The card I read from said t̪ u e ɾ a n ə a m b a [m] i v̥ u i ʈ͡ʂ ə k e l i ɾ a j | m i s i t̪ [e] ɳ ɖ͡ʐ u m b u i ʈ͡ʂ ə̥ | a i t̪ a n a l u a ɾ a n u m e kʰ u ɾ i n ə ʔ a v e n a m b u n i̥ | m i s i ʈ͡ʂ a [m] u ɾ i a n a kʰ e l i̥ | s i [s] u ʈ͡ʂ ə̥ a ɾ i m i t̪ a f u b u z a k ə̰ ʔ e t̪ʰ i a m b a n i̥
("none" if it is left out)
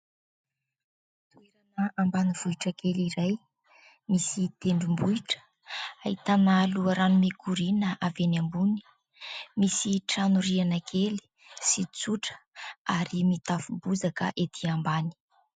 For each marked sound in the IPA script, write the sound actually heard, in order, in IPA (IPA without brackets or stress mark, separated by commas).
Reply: n, e, n, t͡s